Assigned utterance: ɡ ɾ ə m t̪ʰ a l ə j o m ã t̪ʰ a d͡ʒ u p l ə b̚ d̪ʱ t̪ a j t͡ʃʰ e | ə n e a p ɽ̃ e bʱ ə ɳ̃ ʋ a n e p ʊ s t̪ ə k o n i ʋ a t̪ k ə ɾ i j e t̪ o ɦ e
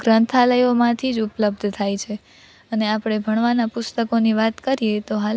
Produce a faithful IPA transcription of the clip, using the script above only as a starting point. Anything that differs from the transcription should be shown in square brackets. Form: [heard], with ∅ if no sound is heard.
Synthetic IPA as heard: ɡ ɾ ə [n] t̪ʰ a l ə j o m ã t̪ʰ [i] d͡ʒ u p l ə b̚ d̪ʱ [t̪ʰ] a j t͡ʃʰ e | ə n e a p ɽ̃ e bʱ ə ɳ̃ ʋ a n [a] p ʊ s t̪ ə k o n i ʋ a t̪ k ə ɾ i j e t̪ o ɦ [a]

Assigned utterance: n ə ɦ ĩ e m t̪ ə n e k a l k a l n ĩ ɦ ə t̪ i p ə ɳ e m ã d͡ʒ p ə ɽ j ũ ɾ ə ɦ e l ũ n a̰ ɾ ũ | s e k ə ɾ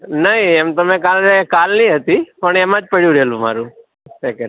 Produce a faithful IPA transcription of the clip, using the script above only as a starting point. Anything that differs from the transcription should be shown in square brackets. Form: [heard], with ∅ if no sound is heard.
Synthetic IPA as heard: n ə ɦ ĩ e m t̪ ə [m] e k a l k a l n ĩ ɦ ə t̪ i p ə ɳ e m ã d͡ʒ p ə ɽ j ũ ɾ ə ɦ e l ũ [m] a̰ ɾ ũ | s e k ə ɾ

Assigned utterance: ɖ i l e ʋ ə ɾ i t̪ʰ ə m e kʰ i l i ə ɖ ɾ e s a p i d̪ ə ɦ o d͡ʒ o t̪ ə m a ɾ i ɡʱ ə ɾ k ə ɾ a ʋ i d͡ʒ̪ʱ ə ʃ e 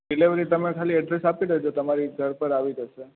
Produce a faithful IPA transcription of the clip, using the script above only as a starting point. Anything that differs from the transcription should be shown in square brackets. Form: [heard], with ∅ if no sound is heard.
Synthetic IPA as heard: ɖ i l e ʋ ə ɾ i [t̪] ə m e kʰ [a] l i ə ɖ ɾ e s a p i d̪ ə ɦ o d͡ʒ o t̪ ə m a ɾ i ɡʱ ə ɾ [p] ə ɾ a ʋ i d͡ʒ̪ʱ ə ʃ e

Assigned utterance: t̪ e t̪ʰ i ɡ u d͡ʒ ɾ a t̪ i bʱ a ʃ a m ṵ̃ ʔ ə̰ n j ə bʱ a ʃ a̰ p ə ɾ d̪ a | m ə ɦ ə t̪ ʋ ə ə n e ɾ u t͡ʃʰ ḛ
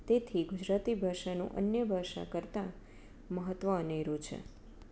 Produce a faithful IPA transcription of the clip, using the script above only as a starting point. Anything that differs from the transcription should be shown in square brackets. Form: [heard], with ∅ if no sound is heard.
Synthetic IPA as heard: t̪ e t̪ʰ i ɡ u d͡ʒ ɾ a t̪ i bʱ a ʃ a [n] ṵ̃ ʔ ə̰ n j ə bʱ a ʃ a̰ [k] ə ɾ [t̪] a | m ə ɦ ə t̪ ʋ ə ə n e ɾ u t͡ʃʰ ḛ

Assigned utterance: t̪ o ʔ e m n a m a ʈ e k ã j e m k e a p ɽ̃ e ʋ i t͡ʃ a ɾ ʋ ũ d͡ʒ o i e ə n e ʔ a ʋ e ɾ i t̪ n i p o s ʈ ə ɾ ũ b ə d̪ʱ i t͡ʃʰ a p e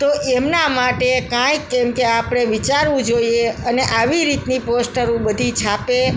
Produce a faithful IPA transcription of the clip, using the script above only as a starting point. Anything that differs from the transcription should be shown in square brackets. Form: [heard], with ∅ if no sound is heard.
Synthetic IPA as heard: t̪ o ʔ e m n a m a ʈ e k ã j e m k e a p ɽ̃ e ʋ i t͡ʃ a ɾ ʋ ũ d͡ʒ o i e ə n e ʔ a ʋ [i] ɾ i t̪ n i p o s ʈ ə ɾ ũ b ə d̪ʱ i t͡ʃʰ a p e

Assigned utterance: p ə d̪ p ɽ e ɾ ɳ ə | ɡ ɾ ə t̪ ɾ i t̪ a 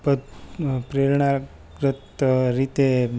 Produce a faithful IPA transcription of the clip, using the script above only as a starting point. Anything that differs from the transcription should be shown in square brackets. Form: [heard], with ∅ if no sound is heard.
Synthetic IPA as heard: p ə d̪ p [ɾ] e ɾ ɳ [a] | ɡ ɾ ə t̪ ɾ i t̪ [e]

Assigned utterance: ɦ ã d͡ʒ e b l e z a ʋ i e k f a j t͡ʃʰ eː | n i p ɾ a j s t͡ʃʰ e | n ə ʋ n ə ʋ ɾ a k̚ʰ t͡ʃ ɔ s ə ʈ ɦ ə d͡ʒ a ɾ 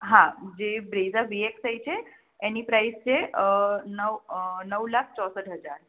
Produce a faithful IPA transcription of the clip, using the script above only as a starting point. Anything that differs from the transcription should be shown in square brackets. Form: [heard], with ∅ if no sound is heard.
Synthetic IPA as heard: ɦ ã d͡ʒ e b [ɾ] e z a ʋ i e k [s] a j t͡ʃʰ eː | n i p ɾ a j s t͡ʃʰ e | n ə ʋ n ə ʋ [l] a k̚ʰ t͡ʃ ɔ s ə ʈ ɦ ə d͡ʒ a ɾ

